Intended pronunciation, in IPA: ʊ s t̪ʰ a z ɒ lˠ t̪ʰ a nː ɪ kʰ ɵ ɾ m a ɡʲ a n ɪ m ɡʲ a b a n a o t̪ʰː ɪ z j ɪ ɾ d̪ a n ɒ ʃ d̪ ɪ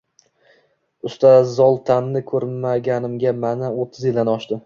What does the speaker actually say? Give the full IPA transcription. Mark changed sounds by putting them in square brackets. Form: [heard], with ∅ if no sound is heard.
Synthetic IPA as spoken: ʊ s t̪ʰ a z ɒ lˠ t̪ʰ a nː ɪ kʰ ɵ ɾ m a ɡʲ a n ɪ m ɡʲ a [m] a n a o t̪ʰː ɪ z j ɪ [l] d̪ a n ɒ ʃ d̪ ɪ

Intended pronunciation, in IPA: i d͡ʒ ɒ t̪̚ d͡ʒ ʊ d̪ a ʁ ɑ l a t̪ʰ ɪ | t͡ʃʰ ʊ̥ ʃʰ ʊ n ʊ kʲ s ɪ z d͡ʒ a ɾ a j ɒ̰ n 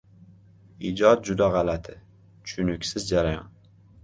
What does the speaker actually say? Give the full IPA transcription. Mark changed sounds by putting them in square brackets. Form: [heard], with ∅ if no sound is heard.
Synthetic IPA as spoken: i d͡ʒ ɒ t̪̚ d͡ʒ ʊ d̪ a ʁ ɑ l a t̪ʰ ɪ | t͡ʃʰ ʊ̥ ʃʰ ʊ n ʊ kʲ s ɪ z d͡ʒ a ɾ a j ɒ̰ n

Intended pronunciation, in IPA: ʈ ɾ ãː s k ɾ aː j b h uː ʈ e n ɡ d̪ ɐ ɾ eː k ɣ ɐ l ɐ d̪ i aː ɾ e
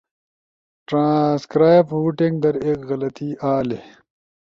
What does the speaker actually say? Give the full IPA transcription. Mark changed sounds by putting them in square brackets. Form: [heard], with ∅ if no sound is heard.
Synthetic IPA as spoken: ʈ ɾ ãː s k ɾ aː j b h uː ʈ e [ŋ] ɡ d̪ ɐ ɾ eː k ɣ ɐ l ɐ [t̪] i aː [l] e

